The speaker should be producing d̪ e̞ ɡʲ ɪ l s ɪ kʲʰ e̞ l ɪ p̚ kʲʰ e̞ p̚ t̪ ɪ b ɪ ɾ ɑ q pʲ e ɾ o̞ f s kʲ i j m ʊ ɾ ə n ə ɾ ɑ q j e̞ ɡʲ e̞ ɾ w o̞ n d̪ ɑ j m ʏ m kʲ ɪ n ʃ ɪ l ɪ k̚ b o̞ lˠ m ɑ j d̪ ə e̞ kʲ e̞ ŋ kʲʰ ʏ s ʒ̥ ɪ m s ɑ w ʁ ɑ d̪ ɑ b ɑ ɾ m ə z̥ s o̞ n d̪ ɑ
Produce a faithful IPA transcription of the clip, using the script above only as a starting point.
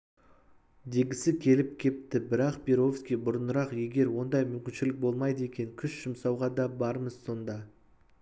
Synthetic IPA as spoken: d̪ e̞ ɡʲ ɪ s ɪ kʲʰ e̞ l ɪ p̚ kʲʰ e̞ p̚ t̪ ɪ b ɪ ɾ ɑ q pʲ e ɾ o̞ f s kʲ i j b ʊ ɾ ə n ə ɾ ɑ q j e̞ ɡʲ e̞ ɾ w o̞ n d̪ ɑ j m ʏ m kʲ ɪ n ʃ ɪ l ɪ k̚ b o̞ lˠ m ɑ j d̪ ə e̞ kʲ e̞ ŋ kʲʰ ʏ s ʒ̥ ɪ m s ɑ w ʁ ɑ d̪ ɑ b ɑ ɾ m ə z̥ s o̞ n d̪ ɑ